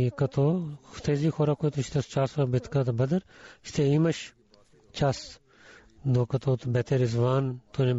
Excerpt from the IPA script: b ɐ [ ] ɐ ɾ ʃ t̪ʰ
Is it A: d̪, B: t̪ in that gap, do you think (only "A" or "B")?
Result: A